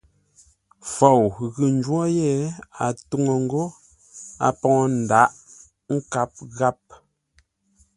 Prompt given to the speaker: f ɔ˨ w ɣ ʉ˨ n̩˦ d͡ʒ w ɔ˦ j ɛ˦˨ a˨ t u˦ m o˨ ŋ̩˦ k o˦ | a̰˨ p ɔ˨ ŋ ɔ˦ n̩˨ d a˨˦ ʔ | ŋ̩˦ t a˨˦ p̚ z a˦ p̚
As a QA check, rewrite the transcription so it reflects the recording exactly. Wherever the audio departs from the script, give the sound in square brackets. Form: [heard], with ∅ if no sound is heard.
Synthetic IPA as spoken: f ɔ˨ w ɣ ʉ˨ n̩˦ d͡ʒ w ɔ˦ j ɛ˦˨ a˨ t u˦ [ŋ] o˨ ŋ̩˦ [ɡ] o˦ | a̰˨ p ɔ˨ ŋ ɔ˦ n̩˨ d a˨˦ ʔ | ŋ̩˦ [k] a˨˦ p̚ [ɣ] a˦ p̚